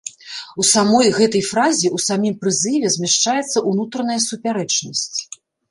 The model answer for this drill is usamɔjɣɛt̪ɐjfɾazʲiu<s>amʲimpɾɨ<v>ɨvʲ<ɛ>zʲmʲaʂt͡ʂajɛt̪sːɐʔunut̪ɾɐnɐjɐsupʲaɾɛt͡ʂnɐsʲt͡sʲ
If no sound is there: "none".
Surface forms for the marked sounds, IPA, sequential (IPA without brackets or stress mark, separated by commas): s, z, ɛ